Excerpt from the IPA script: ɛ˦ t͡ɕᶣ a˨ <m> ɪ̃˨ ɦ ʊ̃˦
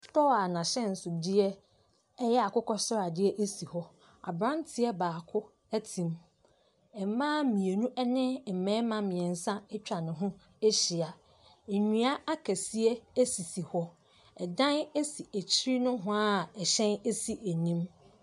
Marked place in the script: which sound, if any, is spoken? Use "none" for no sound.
n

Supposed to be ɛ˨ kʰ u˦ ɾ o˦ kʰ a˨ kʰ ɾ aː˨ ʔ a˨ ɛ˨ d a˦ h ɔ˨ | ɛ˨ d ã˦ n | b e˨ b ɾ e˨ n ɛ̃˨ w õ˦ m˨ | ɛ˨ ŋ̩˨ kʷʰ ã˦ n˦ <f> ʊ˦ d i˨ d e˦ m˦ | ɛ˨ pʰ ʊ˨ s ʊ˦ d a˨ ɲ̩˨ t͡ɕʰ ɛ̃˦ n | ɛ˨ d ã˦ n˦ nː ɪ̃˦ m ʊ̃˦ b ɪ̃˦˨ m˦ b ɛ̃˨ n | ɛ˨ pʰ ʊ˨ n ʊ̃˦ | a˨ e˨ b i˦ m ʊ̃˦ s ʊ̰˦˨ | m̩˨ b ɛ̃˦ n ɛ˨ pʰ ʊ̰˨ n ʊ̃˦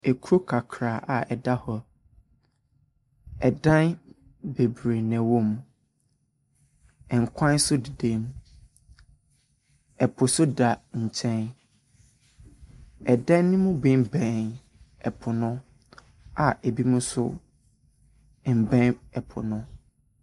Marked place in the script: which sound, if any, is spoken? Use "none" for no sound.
s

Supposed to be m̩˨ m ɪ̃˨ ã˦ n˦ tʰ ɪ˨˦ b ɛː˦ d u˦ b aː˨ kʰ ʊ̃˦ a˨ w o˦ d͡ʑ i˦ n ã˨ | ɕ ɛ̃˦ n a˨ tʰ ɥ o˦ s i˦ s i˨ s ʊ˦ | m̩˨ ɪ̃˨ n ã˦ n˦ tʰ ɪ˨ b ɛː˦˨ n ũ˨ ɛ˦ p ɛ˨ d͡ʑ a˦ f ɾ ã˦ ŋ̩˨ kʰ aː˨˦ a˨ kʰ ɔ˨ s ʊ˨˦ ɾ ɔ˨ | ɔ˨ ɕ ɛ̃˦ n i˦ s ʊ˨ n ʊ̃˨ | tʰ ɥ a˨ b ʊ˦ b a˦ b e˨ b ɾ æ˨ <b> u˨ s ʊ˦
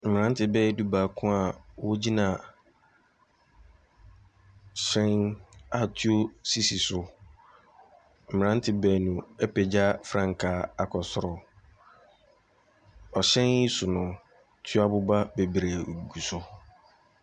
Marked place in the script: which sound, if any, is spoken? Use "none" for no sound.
ɡ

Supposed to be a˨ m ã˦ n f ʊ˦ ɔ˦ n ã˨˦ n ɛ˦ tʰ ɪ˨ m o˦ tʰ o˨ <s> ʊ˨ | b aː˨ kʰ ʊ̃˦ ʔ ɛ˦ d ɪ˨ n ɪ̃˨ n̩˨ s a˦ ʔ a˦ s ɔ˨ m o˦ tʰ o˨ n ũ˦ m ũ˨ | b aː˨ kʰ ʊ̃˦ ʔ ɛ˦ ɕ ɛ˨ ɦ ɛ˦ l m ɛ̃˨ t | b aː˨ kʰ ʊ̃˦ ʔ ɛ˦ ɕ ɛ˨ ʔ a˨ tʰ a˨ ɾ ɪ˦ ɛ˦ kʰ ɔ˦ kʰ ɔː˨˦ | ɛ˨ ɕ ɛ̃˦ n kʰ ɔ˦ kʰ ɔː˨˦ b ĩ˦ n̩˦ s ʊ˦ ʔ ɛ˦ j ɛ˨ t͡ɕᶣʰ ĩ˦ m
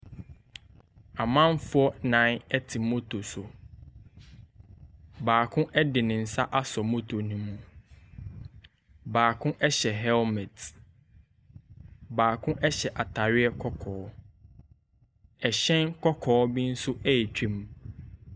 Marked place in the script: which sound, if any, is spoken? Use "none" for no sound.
s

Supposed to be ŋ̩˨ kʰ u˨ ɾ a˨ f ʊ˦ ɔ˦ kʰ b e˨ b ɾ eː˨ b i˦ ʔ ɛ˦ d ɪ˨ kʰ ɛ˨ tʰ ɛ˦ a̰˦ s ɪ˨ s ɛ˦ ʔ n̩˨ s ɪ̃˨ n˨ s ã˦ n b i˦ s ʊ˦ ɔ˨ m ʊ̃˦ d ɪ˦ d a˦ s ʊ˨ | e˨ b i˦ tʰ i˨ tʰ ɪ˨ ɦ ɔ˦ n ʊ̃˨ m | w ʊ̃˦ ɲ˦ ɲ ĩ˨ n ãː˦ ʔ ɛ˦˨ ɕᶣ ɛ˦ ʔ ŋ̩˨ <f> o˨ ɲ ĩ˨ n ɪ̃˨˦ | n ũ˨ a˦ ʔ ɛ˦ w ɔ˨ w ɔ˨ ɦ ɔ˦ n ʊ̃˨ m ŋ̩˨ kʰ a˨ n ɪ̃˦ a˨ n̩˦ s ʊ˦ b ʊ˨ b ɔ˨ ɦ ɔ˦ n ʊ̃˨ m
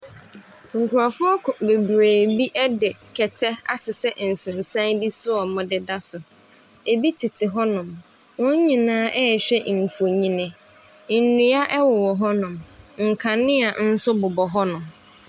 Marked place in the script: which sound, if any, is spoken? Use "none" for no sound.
f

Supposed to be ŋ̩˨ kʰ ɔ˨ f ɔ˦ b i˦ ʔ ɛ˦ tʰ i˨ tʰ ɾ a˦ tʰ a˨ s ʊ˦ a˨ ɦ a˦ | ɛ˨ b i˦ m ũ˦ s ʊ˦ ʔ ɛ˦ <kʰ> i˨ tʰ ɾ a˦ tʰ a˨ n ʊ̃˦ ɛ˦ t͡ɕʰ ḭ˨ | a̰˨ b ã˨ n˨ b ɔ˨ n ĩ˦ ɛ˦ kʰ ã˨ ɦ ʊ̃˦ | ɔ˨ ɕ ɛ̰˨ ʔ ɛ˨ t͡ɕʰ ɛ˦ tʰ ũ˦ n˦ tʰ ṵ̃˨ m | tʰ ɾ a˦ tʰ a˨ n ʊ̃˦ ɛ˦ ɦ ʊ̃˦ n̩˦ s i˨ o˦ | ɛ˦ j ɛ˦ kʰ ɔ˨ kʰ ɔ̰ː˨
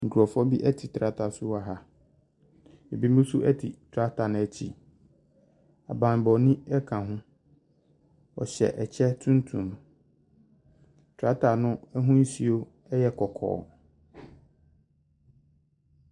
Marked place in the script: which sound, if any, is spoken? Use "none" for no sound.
tʰ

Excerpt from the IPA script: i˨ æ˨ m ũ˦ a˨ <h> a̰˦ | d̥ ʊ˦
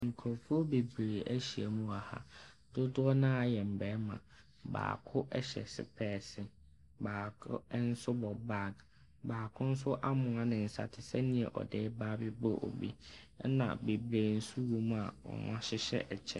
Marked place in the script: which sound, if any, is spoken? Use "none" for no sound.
h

